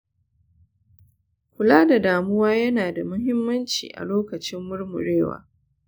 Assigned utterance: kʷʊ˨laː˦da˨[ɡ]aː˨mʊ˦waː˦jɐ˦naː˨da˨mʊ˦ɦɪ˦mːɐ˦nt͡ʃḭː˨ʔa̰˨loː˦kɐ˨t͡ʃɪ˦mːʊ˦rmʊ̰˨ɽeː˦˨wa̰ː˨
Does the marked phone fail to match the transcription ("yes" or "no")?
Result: yes